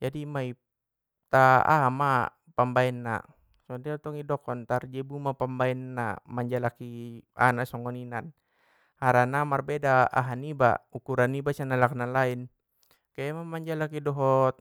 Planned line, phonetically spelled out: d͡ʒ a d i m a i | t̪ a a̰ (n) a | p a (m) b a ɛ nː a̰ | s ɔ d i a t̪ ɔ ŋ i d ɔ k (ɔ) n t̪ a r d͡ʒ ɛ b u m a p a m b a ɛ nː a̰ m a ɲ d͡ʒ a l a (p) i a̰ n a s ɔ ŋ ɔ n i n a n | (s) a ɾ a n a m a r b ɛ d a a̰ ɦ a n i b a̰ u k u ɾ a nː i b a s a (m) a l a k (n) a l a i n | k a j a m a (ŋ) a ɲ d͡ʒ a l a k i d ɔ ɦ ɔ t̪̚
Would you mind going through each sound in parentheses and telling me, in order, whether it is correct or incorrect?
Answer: incorrect: m, correct, correct, incorrect: k, incorrect: h, incorrect: n, correct, incorrect: m

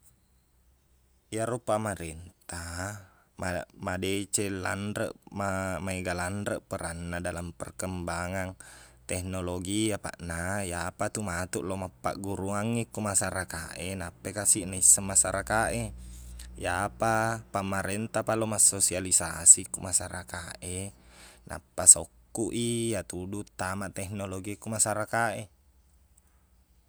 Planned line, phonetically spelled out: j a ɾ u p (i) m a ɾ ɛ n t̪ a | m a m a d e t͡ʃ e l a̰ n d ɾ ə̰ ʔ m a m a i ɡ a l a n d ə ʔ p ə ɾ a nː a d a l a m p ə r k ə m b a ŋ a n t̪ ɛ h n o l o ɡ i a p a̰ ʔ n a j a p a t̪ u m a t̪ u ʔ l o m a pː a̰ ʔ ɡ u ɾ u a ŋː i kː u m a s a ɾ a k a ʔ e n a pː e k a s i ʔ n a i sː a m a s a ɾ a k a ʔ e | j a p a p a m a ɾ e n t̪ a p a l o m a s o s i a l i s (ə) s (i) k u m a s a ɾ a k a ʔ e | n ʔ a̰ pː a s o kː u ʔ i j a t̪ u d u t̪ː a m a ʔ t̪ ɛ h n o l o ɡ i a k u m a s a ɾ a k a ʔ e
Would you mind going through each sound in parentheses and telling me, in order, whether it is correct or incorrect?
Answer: incorrect: a, incorrect: a, correct

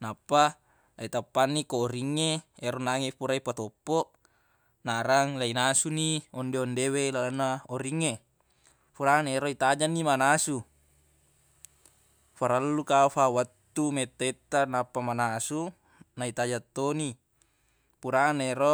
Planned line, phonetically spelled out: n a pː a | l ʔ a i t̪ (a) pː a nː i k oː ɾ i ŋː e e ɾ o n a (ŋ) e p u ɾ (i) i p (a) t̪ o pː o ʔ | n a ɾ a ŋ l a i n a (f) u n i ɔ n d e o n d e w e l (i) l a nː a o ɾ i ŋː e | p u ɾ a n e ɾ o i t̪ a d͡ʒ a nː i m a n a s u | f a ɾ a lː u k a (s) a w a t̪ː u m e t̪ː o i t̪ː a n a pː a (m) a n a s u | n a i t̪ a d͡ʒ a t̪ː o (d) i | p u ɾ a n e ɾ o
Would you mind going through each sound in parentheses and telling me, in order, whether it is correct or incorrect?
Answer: correct, correct, incorrect: a, correct, incorrect: s, incorrect: a, incorrect: f, correct, incorrect: n

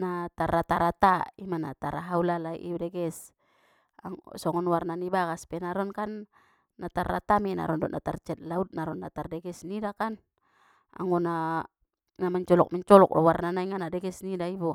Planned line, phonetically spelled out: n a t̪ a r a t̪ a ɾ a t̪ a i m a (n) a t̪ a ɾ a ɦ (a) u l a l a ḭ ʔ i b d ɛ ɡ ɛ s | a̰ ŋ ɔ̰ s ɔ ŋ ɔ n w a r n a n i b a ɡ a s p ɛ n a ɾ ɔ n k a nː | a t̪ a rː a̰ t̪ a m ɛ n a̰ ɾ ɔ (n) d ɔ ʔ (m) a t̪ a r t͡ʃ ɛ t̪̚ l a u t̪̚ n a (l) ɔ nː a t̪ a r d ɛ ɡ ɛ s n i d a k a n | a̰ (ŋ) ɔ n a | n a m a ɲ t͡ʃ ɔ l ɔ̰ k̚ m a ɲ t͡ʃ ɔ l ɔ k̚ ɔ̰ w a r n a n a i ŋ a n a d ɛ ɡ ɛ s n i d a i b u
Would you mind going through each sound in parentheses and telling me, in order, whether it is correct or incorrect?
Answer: correct, correct, correct, incorrect: n, incorrect: ɾ, correct

